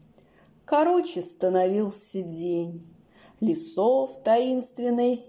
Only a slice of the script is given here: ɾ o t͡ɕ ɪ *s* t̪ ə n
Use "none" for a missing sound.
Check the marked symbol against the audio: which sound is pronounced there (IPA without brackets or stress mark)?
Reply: s